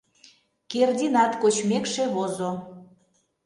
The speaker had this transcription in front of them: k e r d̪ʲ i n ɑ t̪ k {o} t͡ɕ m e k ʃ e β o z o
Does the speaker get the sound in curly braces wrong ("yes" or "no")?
no